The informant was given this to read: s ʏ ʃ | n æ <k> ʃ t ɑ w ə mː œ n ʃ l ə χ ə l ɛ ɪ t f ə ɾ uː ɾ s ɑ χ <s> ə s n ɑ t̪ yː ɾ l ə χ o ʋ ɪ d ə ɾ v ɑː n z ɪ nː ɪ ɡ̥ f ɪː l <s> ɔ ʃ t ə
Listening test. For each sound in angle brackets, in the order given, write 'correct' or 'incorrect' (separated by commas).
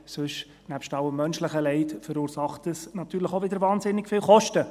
incorrect, incorrect, incorrect